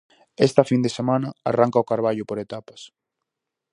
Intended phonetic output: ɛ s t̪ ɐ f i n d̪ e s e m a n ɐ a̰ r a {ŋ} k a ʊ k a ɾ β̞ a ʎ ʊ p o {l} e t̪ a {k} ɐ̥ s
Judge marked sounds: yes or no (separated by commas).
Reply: yes, no, no